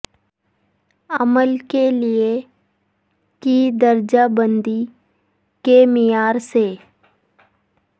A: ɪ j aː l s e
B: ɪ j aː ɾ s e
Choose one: B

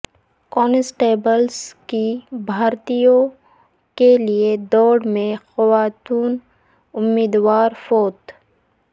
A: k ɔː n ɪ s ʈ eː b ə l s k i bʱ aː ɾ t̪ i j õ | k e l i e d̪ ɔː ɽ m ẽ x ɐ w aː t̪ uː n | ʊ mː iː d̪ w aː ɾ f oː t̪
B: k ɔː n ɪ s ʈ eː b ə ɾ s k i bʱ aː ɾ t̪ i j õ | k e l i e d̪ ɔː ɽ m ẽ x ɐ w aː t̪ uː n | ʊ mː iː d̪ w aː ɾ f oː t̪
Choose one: A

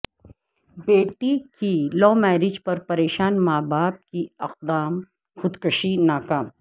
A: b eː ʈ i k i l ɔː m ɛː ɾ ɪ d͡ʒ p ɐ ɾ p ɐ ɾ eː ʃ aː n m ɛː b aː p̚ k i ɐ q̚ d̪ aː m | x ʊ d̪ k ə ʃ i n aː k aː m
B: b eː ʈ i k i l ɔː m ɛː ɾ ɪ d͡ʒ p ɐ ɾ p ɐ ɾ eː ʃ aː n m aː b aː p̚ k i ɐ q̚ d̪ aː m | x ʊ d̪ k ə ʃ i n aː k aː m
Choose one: B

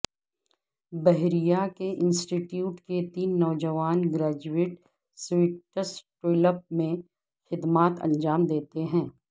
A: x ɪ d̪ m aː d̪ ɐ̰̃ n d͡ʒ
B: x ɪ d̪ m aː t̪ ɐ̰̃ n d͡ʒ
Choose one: B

